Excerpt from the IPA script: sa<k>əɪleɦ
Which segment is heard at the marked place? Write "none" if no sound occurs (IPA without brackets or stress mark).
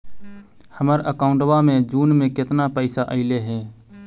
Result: ʔ